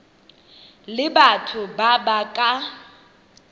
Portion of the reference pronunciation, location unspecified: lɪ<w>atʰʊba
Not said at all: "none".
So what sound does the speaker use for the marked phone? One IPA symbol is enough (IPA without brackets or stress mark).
b